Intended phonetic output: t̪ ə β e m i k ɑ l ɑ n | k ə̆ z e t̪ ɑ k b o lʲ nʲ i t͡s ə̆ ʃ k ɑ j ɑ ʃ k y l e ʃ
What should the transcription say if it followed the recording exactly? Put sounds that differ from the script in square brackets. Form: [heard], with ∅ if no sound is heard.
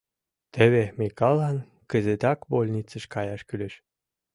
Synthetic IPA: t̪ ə β e m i k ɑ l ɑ n | k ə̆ z e t̪ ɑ k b o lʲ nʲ i t͡s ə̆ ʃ k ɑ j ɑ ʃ k y l e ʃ